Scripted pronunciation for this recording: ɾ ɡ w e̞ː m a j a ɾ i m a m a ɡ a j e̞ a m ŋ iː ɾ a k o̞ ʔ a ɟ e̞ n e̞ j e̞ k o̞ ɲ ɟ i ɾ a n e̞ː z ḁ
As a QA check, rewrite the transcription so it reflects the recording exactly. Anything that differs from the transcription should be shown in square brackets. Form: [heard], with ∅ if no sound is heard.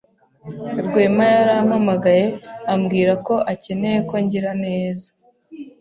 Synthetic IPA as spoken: ɾ ɡ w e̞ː m a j a ɾ [a] m a m a ɡ a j e̞ a m [ɡ] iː ɾ a k o̞ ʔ a [c] e̞ n e̞ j e̞ k o̞ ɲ ɟ i ɾ a n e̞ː z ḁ